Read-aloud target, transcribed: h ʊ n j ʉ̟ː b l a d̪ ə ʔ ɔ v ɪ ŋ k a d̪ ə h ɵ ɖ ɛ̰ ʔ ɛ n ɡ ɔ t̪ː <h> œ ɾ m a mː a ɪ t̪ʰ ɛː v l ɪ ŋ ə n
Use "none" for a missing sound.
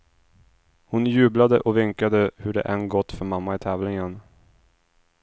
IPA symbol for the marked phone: f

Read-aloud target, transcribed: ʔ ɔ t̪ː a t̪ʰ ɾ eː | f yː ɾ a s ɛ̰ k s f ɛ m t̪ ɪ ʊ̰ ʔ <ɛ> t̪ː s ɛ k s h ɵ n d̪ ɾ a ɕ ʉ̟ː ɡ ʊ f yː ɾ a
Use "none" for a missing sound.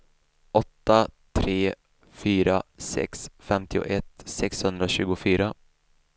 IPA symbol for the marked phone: ɛ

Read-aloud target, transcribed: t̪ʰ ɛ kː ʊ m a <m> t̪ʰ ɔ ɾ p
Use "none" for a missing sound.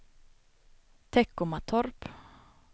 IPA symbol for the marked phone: none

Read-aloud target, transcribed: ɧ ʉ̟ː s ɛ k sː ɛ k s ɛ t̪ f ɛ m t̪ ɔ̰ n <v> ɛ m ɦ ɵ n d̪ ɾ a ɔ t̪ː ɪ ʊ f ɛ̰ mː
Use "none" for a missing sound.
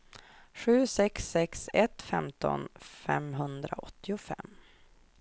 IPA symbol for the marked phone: f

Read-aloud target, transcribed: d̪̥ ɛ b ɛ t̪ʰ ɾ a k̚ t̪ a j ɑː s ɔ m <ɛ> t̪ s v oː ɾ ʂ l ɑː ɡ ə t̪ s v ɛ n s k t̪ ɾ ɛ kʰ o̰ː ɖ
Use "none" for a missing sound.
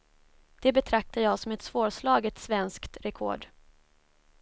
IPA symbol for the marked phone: ɛ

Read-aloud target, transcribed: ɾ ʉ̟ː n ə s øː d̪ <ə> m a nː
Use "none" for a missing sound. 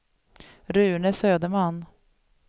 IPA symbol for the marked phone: ə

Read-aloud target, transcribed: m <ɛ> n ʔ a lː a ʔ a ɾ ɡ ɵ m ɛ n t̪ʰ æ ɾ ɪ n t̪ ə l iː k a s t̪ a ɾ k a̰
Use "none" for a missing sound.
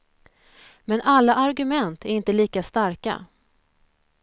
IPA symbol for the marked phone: ɛ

